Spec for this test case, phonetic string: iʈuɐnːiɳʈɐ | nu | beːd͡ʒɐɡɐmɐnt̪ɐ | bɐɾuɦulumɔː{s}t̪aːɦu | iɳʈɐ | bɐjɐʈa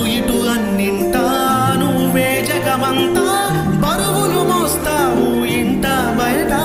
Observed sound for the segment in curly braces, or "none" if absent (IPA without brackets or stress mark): s